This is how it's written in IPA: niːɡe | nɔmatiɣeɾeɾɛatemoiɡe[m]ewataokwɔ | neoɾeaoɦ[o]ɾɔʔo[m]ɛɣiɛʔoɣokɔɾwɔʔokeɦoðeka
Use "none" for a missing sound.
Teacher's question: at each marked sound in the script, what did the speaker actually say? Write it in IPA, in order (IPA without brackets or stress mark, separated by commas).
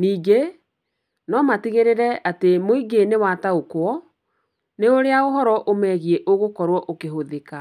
n, ɔ, m